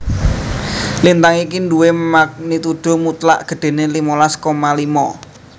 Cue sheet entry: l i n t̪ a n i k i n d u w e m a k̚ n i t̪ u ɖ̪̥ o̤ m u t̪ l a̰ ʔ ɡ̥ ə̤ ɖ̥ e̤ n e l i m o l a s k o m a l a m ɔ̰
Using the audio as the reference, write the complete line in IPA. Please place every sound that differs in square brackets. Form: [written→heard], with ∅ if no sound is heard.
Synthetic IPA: l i n t̪ a [n→ŋ] i k i n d u w e m a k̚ n i t̪ u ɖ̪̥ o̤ m u t̪ l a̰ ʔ ɡ̥ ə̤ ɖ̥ e̤ n e l i m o l a s k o m a l [a→i] m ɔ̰